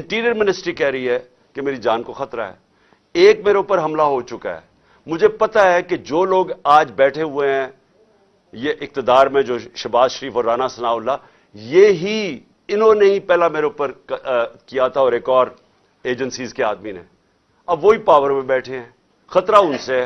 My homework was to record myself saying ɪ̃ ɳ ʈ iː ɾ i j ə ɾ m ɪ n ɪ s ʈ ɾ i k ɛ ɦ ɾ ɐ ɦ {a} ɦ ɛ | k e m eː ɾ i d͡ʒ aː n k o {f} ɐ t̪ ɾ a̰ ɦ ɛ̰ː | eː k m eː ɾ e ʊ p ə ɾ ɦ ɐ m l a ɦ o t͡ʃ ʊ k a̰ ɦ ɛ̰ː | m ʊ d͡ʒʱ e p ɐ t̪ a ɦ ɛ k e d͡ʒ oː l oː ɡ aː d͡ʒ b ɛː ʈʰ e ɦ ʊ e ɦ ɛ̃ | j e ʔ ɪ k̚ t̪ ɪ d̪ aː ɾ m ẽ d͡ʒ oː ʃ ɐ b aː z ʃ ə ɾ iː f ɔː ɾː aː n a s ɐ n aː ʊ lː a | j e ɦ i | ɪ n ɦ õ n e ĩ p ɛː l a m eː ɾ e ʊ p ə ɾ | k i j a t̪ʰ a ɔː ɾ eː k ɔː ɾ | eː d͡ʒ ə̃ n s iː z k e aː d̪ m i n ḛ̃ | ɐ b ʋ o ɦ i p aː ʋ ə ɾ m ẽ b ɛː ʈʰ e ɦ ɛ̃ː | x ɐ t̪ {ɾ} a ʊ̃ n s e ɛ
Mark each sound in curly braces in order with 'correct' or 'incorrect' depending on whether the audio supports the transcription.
incorrect: i, incorrect: x, correct

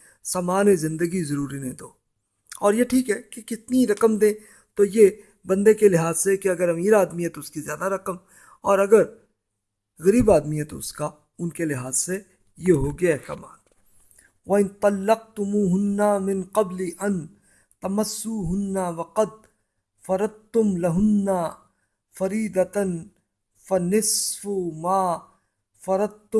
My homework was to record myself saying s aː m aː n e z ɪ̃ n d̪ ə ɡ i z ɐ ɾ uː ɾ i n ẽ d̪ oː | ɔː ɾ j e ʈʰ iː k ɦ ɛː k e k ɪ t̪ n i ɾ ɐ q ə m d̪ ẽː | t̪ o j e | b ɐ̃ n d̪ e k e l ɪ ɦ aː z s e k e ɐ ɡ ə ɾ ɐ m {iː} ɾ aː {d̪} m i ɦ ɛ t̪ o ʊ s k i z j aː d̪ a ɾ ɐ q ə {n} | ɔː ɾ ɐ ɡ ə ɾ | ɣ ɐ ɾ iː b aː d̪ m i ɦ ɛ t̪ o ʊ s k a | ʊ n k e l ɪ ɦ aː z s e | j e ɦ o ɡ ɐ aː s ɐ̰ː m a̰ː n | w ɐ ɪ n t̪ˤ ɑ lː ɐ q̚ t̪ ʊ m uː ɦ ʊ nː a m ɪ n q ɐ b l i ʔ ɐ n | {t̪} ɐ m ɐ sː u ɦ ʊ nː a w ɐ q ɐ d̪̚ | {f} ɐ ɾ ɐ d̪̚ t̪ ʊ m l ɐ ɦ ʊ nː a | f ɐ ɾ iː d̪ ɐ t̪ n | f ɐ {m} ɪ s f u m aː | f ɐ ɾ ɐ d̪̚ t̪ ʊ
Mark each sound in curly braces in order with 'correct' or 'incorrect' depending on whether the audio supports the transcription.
correct, correct, incorrect: m, correct, correct, incorrect: n

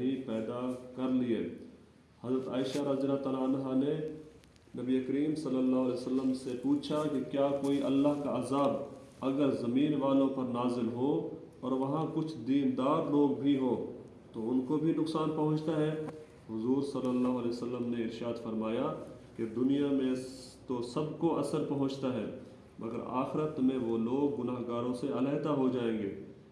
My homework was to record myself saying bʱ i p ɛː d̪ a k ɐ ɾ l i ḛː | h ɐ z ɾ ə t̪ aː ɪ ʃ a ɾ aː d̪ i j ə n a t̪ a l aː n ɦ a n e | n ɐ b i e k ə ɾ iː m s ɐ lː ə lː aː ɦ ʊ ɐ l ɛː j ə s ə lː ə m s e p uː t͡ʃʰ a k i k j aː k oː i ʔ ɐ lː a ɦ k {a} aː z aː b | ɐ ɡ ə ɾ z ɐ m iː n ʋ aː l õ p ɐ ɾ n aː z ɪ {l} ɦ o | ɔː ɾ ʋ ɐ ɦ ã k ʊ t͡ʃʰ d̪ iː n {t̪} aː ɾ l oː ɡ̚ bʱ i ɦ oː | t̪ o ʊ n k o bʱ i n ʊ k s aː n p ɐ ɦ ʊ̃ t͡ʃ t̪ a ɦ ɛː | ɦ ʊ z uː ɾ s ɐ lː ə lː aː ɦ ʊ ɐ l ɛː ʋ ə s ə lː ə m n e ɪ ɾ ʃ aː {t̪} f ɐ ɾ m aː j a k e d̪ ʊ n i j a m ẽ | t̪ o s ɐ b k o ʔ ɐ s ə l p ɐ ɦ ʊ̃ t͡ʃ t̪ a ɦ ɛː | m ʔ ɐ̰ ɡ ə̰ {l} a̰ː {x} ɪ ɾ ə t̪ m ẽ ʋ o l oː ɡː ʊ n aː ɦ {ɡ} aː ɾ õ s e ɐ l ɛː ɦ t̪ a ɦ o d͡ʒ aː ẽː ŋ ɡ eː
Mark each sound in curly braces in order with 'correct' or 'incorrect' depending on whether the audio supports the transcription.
correct, correct, incorrect: d̪, incorrect: d̪, incorrect: ɾ, correct, correct

